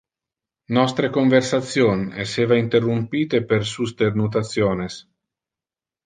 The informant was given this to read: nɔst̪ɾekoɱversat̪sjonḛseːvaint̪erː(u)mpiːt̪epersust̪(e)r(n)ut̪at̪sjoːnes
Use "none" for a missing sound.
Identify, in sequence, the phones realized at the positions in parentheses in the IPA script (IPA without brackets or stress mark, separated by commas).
u, e, n